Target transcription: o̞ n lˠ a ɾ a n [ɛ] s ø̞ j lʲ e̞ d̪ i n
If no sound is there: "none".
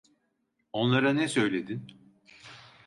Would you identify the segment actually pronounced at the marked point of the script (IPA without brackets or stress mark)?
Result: ɛ